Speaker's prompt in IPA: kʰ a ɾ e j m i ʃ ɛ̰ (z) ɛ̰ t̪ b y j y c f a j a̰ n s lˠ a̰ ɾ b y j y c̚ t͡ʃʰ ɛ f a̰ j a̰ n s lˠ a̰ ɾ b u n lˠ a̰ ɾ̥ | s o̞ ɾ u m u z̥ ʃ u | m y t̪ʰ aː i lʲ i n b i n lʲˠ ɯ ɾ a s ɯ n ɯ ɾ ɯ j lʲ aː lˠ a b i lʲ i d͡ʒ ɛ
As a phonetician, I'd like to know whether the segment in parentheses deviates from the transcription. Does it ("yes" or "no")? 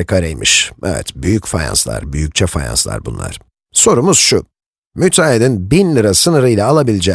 yes